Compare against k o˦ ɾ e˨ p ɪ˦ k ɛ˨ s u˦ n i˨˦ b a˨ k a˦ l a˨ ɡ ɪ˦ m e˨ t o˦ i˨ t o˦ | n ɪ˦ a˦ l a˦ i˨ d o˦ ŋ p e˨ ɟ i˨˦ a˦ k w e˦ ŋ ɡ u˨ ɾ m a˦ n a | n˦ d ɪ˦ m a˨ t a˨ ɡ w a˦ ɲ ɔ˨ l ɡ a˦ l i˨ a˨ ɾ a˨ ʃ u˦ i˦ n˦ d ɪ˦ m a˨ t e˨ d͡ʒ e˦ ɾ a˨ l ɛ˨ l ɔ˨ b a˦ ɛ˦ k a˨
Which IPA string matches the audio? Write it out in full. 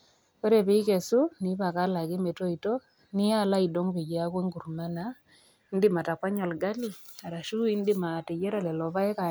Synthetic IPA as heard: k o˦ ɾ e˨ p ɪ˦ k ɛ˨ s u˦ n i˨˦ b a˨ k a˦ l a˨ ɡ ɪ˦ m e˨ t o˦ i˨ t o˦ | n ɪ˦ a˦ l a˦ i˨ d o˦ ŋ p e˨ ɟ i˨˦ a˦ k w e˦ ŋ ɡ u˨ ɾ m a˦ n a | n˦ d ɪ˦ m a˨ t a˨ k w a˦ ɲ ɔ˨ l ɡ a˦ l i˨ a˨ ɾ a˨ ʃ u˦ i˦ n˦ d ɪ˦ m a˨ t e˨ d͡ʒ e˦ ɾ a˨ l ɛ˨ l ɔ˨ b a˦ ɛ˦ k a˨